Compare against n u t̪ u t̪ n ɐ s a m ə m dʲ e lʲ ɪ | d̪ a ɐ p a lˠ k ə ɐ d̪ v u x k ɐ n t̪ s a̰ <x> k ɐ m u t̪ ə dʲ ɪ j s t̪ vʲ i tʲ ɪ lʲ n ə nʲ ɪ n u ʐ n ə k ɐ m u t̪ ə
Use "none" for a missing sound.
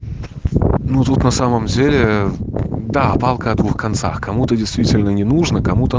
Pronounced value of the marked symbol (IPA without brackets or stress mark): x